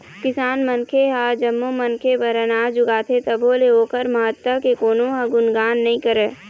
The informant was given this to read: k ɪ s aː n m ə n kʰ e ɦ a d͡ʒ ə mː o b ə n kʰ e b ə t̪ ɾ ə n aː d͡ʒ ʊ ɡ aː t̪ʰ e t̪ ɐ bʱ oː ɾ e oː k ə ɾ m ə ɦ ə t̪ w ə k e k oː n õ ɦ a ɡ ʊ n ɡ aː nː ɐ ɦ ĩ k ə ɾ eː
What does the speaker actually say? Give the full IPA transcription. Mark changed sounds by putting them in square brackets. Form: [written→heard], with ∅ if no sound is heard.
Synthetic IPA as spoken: k ɪ s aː n m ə n kʰ e ɦ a d͡ʒ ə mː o [b→m] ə n kʰ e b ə [t̪→∅] ɾ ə n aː d͡ʒ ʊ ɡ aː t̪ʰ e t̪ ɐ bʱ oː [ɾ→l] e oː k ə ɾ m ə ɦ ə t̪ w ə k e k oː n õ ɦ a ɡ ʊ n ɡ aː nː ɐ ɦ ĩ k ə ɾ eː